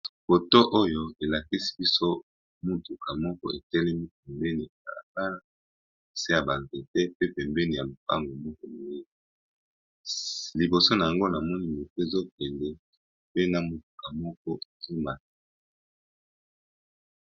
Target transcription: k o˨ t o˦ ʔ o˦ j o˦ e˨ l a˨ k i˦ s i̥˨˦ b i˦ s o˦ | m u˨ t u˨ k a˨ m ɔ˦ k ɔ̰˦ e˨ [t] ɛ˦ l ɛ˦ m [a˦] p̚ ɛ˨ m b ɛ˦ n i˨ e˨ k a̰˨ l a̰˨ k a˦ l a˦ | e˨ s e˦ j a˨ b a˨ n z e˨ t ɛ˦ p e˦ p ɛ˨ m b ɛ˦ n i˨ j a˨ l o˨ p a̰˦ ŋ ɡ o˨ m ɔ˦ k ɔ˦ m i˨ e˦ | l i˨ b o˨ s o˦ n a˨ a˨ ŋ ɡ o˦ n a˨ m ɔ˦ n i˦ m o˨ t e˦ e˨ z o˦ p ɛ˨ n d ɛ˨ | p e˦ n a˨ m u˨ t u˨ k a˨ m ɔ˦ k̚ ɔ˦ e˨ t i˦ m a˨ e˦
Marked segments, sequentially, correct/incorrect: correct, incorrect: i˦

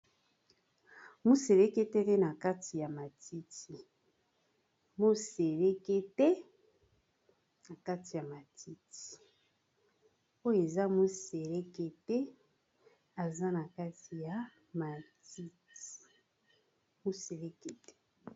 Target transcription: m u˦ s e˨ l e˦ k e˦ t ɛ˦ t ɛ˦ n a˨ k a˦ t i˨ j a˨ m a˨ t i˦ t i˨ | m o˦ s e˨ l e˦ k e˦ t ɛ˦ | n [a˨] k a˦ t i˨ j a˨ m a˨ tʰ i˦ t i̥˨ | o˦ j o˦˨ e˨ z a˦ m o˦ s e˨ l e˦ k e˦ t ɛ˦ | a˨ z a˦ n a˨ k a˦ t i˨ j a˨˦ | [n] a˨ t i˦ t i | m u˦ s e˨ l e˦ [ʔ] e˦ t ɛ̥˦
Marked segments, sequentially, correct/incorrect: correct, incorrect: m, incorrect: k

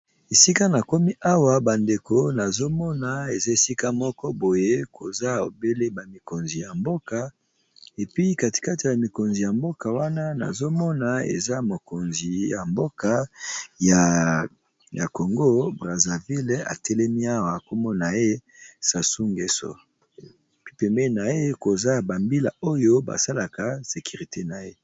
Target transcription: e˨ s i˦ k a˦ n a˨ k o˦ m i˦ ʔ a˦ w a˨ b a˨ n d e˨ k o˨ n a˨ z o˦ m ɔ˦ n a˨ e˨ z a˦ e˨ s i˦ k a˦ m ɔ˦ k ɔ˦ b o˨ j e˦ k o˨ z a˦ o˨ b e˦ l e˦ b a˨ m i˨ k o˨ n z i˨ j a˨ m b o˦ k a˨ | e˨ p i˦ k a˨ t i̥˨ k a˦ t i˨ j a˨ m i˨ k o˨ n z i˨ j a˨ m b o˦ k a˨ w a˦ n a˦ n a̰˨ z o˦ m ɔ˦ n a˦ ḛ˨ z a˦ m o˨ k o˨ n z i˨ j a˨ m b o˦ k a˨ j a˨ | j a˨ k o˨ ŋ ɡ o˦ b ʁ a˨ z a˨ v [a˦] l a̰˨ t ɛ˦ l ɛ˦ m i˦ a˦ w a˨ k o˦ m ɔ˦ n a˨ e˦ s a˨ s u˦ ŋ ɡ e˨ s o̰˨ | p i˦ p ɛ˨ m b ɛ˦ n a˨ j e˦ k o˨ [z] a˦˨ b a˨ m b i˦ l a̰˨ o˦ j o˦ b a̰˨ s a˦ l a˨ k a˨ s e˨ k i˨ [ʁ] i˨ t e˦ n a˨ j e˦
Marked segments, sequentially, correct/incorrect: incorrect: i˦, correct, correct

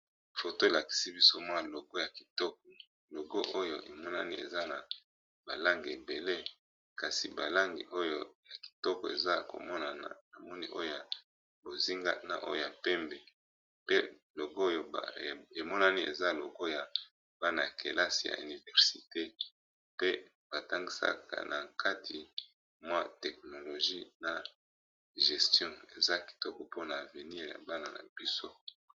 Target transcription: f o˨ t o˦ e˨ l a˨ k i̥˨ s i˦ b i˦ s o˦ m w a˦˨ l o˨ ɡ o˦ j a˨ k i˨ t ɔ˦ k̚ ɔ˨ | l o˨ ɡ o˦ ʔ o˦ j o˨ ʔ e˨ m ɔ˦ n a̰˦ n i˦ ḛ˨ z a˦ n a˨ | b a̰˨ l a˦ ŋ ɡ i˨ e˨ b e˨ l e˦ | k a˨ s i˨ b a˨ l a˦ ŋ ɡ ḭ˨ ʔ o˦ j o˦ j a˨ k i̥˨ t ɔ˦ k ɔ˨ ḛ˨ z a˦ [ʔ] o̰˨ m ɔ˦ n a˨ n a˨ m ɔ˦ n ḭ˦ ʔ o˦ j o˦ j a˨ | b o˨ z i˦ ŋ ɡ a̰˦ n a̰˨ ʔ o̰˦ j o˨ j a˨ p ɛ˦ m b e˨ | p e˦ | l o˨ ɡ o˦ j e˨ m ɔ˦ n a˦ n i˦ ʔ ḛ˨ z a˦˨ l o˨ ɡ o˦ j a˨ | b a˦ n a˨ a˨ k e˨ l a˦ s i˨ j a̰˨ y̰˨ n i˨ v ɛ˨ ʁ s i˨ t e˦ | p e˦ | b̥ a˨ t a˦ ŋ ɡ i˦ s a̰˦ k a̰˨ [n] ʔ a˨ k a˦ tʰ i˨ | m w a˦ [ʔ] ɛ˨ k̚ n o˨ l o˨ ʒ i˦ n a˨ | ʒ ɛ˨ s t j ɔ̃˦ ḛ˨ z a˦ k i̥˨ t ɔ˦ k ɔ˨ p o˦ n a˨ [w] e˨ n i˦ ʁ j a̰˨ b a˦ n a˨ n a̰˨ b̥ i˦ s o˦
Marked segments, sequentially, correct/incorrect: incorrect: k, correct, incorrect: t, incorrect: v

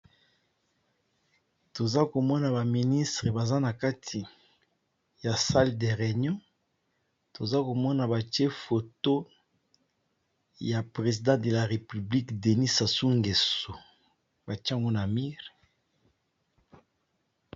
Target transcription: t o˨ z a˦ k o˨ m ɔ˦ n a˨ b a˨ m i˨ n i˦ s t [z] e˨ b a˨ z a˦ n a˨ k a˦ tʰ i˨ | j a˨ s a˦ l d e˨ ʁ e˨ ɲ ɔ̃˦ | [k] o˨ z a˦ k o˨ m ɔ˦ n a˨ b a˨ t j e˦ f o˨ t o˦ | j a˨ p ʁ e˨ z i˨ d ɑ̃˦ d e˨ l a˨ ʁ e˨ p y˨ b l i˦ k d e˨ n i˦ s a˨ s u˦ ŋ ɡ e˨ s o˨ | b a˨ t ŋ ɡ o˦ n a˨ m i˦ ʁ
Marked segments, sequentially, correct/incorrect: incorrect: ʁ, incorrect: t

